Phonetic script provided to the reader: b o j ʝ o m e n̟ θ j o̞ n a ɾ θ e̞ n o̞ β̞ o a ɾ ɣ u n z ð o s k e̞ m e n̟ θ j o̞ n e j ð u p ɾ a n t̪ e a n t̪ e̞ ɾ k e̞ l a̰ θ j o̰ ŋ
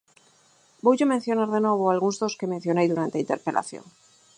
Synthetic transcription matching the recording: b o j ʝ o m e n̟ θ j o̞ n a ɾ ð e̞ n o̞ β̞ o a l ɣ u n z ð o s k e̞ m e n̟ θ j o̞ n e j ð u ɾ a n t̪ e i n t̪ e̞ ɾ p e̞ l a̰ θ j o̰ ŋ